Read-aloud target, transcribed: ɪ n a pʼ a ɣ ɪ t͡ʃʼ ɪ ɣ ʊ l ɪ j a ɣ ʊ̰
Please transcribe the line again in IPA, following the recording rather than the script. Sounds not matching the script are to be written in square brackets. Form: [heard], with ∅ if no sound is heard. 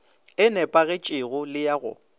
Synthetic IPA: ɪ n [ɛ] pʼ a ɣ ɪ t͡ʃʼ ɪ ɣ ʊ l ɪ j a ɣ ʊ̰

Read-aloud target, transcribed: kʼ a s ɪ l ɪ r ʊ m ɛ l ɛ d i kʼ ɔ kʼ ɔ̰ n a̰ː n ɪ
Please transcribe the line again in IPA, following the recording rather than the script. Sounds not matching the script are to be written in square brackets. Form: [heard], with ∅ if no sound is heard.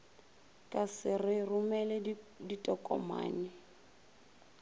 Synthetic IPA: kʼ a s ɪ [r] ɪ r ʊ m ɛ l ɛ d i [tʼ] ɔ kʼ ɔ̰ [m] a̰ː n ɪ

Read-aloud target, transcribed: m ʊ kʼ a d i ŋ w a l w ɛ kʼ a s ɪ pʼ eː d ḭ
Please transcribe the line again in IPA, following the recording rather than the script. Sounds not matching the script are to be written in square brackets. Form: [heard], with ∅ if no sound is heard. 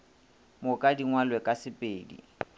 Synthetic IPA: m ʊ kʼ a d i ŋ w a l w ɛ kʼ a s ɪ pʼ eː d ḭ

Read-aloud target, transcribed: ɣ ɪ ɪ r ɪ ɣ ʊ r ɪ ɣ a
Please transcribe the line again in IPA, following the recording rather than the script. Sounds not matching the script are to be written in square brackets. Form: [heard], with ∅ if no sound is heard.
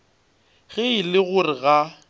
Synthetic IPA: ɣ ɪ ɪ [l] ɪ ɣ ʊ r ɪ ɣ a

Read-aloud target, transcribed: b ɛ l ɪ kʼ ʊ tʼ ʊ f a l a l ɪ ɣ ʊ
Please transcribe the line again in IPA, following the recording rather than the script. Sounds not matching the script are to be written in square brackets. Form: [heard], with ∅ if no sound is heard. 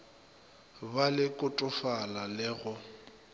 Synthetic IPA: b [a] l ɪ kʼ ʊ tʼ ʊ f a l a l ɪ ɣ ʊ

